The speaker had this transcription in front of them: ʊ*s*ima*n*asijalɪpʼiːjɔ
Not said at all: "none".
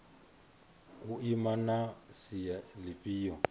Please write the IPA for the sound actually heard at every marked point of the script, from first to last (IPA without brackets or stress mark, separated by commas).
none, n